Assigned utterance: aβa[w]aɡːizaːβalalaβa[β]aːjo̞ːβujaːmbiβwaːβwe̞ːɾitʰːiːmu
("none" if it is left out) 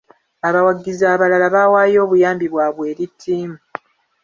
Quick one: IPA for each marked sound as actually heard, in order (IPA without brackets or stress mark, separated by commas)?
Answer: w, w